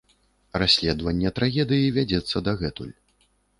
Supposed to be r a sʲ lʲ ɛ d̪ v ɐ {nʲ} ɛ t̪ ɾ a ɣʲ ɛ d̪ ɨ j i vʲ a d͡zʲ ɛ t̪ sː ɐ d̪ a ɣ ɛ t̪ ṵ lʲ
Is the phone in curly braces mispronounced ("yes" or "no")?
yes